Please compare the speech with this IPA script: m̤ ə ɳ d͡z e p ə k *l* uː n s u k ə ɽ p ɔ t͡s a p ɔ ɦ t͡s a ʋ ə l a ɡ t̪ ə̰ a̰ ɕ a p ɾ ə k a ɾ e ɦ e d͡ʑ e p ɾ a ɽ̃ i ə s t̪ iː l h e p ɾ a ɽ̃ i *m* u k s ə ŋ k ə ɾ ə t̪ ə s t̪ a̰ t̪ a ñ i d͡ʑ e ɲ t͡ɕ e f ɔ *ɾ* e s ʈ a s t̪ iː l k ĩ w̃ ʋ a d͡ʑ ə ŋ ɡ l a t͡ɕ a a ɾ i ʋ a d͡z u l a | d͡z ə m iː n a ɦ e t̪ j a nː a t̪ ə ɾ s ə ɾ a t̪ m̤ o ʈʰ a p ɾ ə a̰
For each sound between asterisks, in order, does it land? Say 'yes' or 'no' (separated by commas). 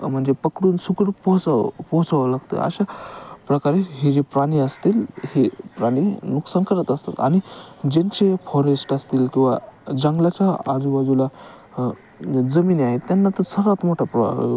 no, no, yes